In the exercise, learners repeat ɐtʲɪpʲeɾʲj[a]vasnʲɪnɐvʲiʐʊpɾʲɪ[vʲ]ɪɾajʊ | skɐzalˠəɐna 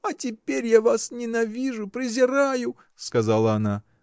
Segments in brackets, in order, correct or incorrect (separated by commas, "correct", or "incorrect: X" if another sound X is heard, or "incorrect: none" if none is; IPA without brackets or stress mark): correct, incorrect: zʲ